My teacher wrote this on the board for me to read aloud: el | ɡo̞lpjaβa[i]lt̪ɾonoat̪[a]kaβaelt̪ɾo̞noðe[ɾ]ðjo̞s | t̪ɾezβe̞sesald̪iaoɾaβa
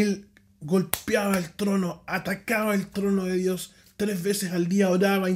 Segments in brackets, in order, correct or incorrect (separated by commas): incorrect, correct, incorrect